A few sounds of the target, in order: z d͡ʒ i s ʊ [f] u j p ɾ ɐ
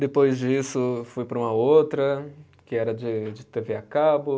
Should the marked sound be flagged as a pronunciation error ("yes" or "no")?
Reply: no